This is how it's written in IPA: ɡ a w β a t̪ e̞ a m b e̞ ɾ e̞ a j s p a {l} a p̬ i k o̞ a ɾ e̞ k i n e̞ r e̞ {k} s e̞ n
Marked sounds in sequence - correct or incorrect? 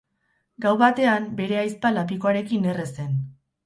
correct, incorrect: none

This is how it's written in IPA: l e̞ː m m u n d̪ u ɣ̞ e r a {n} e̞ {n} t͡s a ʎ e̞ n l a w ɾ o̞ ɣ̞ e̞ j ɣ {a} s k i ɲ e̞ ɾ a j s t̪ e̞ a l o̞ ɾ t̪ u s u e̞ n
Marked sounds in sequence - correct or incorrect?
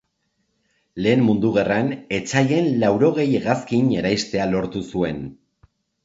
correct, incorrect: none, correct

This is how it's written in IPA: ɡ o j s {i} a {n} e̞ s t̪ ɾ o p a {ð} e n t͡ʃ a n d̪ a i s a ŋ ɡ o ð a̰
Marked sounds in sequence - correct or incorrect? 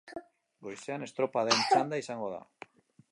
incorrect: e, correct, correct

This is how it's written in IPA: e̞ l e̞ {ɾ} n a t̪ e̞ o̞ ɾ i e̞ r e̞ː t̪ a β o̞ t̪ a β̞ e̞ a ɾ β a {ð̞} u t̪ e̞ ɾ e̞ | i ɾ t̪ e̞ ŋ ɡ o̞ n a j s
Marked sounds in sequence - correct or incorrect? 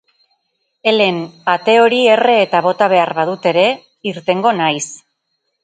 incorrect: none, correct

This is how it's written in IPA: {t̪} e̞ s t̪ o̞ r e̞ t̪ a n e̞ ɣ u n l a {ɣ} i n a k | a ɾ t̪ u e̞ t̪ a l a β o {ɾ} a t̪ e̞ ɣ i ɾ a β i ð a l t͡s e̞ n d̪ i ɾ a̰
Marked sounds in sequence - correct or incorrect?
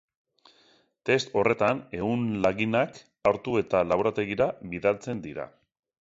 correct, correct, correct

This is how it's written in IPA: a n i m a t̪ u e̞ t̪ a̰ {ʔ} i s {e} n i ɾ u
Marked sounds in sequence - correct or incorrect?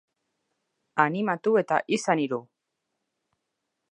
correct, incorrect: a

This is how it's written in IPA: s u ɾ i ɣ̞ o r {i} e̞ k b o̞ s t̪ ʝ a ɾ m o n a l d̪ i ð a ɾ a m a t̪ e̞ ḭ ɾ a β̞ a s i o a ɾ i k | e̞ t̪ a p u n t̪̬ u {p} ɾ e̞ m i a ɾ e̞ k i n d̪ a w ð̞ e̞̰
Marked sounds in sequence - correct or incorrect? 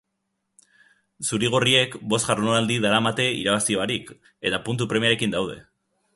correct, correct

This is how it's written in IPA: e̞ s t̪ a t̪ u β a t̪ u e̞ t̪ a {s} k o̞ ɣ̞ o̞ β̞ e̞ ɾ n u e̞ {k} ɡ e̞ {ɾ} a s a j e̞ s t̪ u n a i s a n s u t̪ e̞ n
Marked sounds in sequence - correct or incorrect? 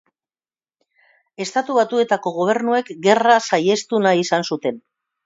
incorrect: none, correct, incorrect: r

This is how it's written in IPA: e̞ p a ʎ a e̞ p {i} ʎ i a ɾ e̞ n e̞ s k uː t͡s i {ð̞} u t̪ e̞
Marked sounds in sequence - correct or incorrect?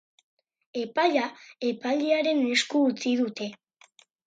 incorrect: a, correct

